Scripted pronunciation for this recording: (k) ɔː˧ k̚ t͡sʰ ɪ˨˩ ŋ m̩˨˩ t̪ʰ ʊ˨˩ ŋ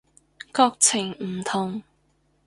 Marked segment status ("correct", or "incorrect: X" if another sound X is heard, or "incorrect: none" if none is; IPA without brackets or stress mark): correct